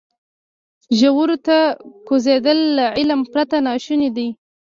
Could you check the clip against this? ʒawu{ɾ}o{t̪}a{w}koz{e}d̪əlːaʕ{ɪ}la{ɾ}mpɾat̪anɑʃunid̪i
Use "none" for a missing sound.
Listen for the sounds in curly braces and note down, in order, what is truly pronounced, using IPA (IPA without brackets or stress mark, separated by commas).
ɾ, t̪, none, e, ɪ, none